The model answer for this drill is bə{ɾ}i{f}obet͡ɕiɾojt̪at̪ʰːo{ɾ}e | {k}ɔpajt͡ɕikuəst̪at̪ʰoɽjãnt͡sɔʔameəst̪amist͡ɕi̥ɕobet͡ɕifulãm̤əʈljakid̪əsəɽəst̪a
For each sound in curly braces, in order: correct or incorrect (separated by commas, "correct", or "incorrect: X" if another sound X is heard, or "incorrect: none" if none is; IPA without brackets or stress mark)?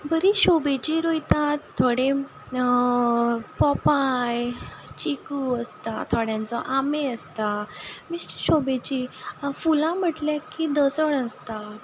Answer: correct, incorrect: ɕ, incorrect: ɽ, incorrect: p